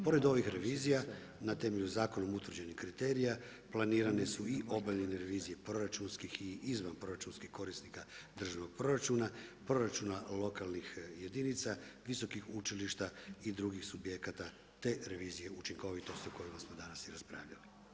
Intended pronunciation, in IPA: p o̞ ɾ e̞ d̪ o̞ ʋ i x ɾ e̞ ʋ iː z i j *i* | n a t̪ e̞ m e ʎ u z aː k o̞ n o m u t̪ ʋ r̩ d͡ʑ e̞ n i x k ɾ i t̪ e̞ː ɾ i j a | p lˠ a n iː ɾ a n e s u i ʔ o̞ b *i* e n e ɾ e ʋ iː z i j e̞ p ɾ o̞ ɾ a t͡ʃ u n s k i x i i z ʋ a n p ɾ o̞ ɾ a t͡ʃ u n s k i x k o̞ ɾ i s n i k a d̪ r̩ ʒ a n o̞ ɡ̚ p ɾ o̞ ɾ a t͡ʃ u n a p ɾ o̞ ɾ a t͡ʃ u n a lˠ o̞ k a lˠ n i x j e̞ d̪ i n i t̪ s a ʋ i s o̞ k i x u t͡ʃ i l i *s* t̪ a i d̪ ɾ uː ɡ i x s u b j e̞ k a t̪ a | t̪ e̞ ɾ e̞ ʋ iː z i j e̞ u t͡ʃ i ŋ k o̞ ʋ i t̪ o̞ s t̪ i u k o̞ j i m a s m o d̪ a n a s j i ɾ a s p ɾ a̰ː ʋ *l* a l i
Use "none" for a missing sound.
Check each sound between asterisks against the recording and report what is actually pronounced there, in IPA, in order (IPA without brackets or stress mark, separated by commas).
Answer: a, a, ʃ, ʎ